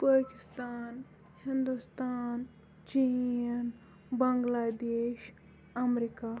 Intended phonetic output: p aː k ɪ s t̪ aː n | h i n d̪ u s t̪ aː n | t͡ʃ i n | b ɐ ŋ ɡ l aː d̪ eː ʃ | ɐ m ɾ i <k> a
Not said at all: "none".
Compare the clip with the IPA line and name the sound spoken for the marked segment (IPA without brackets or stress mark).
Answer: k